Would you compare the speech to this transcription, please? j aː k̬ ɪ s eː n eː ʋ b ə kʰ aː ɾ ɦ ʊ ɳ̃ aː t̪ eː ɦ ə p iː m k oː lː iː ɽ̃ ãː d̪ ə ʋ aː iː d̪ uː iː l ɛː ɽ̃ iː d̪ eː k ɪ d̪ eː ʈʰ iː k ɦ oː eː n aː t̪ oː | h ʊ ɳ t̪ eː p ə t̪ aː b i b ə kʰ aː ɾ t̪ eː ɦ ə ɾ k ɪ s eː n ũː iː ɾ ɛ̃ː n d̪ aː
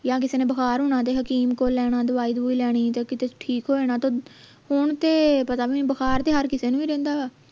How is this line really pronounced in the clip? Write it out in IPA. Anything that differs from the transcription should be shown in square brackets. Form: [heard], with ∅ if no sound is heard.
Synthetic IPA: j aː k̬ ɪ s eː n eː [∅] b ə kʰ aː ɾ ɦ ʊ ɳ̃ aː t̪ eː ɦ ə [k] iː m k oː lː [ɛː] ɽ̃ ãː d̪ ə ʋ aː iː d̪ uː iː l ɛː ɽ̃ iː [t̪] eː k ɪ [t̪] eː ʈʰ iː k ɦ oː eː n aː t̪ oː | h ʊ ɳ t̪ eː p ə t̪ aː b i b ə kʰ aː ɾ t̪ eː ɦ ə ɾ k ɪ s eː n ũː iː ɾ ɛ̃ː n d̪ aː

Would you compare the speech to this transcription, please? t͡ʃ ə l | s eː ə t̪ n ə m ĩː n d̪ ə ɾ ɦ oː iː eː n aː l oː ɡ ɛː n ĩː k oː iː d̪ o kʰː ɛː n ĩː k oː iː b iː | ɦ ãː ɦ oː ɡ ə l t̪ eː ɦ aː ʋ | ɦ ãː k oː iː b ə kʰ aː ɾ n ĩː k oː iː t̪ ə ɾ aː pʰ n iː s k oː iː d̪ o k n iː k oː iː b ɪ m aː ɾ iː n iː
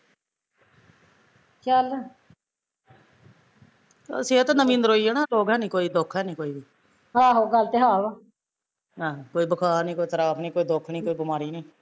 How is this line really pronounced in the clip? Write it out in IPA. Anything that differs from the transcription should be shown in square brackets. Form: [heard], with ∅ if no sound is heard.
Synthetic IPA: t͡ʃ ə l | s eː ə t̪ n ə m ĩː n d̪ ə ɾ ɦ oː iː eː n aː l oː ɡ ɛː n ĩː k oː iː d̪ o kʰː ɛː n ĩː k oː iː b iː | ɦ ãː ɦ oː ɡ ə l t̪ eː ɦ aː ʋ | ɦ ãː k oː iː b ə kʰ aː ɾ n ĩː k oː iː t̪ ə ɾ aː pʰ n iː [∅] k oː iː d̪ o [kʰ] n iː k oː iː b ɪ m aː ɾ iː n iː

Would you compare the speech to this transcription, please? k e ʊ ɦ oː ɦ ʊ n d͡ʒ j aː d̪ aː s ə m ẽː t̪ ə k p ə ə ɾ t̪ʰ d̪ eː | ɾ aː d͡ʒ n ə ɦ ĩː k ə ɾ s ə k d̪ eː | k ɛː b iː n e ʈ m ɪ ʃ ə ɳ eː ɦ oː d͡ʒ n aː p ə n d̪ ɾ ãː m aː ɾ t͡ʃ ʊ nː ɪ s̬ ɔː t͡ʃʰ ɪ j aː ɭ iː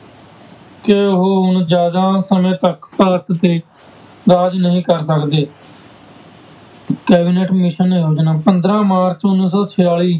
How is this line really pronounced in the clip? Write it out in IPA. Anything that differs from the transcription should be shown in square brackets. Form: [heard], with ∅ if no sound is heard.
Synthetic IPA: k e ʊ ɦ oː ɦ ʊ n d͡ʒ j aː d̪ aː s ə m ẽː t̪ ə k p ə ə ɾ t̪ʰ [t̪] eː | ɾ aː d͡ʒ n ə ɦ ĩː k ə ɾ s ə k d̪ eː | k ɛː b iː n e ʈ m ɪ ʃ ə [n] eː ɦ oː d͡ʒ n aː p ə n d̪ ɾ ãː m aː ɾ t͡ʃ ʊ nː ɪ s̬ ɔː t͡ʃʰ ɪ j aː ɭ iː

